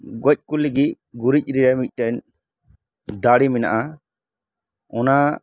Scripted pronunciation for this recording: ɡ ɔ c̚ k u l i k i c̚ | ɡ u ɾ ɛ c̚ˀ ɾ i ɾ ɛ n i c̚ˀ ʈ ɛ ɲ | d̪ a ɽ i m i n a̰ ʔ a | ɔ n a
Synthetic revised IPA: ɡ ɔ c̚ k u l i ɡ i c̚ | ɡ u ɾ i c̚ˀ ɾ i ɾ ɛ m i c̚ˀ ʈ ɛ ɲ | d̪ a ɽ i m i n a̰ ʔ a | ɔ n a